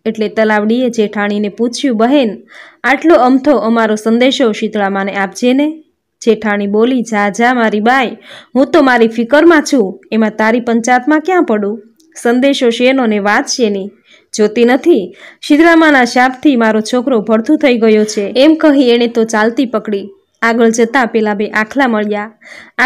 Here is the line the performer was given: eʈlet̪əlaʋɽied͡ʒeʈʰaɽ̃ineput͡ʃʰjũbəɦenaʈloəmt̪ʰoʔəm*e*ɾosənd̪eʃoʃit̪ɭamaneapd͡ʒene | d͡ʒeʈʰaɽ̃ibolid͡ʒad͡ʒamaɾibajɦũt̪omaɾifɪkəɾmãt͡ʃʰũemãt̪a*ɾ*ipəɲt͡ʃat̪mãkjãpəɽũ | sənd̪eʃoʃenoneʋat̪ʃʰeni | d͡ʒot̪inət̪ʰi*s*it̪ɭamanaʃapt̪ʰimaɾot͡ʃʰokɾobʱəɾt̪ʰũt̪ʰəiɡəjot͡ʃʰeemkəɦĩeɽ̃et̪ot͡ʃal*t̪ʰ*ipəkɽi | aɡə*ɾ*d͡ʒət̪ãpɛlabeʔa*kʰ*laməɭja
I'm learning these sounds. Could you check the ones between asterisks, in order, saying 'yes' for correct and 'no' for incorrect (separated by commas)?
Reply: no, yes, no, no, no, yes